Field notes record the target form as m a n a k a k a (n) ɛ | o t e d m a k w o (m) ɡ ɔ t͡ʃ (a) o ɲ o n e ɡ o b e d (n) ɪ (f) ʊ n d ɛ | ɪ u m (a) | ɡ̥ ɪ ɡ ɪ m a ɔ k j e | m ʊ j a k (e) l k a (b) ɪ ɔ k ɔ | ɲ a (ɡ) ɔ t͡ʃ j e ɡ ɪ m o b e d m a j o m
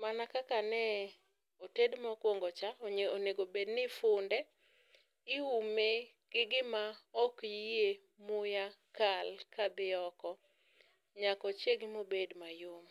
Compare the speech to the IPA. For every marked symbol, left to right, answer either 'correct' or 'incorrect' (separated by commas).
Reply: correct, incorrect, correct, correct, correct, incorrect, incorrect, correct, incorrect